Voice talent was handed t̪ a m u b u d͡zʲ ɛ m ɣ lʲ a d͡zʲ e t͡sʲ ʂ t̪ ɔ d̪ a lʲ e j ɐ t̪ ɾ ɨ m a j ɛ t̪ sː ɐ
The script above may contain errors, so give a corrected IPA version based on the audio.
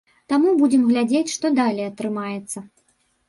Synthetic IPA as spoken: t̪ a m u b u d͡zʲ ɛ m ɣ lʲ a d͡zʲ e t͡sʲ ʂ t̪ ɔ d̪ a lʲ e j ɐ t̪ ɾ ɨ m a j ɛ t̪ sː ɐ